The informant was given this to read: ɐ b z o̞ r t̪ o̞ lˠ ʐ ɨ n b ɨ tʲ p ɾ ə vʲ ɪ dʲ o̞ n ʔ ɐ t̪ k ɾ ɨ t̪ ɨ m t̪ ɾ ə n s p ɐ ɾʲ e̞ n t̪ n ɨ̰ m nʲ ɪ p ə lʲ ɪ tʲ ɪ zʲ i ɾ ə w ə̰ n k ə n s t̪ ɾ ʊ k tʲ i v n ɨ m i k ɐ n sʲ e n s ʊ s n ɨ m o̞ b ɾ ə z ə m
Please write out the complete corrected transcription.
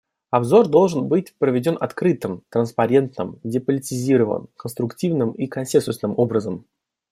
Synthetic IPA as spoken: ɐ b z o̞ r d̪ o̞ lˠ ʐ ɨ n b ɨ tʲ p ɾ ə vʲ ɪ dʲ o̞ n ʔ ɐ t̪ k ɾ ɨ t̪ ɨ m t̪ ɾ ə n s p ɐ ɾʲ e̞ n t̪ n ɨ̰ m dʲ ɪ p ə lʲ ɪ tʲ ɪ zʲ i ɾ ə v ə̰ n k ə n s t̪ ɾ ʊ k tʲ i v n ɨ m i k ɐ n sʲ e n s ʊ s n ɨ m o̞ b ɾ ə z ə m